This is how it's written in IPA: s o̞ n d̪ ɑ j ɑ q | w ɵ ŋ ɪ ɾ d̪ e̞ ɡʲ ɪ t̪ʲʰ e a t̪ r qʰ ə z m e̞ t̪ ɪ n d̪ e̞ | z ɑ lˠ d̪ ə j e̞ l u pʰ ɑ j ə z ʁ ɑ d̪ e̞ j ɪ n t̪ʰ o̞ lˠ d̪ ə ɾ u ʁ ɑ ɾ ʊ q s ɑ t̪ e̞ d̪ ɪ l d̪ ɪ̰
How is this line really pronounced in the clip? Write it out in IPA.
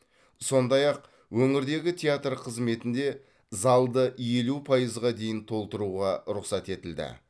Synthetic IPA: s o̞ n d̪ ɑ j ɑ q | w ɵ ŋ ɪ ɾ d̪ e̞ ɡʲ ɪ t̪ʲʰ e a t̪ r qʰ ə z m e̞ t̪ ɪ n d̪ e̞ | z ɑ lˠ d̪ ə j e̞ l u pʰ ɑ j ə z ʁ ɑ d̪ e̞ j ɪ n t̪ʰ o̞ lˠ t̪ ə ɾ u ʁ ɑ ɾ ʊ q s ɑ t̪ e̞ t̪ ɪ l d̪ ɪ̰